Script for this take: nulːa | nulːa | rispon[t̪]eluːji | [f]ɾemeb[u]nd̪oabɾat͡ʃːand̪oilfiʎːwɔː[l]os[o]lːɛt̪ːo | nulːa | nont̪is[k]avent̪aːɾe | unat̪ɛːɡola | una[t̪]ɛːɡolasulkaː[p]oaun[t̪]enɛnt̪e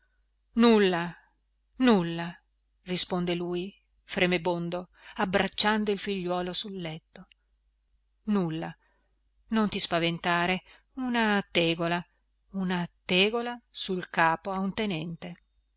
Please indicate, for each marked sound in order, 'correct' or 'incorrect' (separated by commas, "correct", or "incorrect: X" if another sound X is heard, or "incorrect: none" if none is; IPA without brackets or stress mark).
incorrect: d̪, correct, incorrect: o, correct, incorrect: u, incorrect: p, correct, correct, correct